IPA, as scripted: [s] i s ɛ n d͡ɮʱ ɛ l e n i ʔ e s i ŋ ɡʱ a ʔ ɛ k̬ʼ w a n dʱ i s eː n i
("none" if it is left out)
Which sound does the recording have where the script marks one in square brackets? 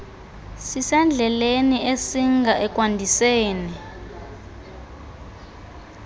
s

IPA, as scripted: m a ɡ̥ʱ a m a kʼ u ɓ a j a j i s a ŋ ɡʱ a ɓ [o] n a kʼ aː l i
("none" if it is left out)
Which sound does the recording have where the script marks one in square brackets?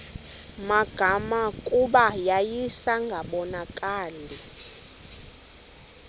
ɔ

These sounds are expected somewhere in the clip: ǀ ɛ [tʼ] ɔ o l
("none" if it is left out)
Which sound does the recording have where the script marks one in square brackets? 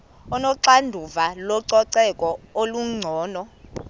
kʼ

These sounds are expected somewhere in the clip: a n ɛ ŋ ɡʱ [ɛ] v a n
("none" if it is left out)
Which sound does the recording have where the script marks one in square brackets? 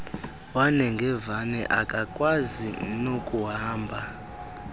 ɛ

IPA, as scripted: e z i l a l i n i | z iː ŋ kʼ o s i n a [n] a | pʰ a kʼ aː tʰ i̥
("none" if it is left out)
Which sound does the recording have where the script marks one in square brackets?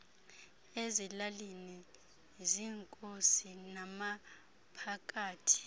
m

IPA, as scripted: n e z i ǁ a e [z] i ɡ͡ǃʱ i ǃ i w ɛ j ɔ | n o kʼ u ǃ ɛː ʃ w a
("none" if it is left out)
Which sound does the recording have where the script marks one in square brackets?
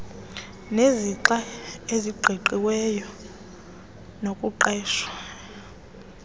z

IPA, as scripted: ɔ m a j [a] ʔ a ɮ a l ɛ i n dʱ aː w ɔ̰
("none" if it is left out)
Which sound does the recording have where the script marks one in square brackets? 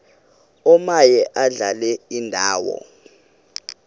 ɛ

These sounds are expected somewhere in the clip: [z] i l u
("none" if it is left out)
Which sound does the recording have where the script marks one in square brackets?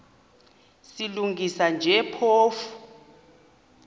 s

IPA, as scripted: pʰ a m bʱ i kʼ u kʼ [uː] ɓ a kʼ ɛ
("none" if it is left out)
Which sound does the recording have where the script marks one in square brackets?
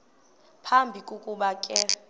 u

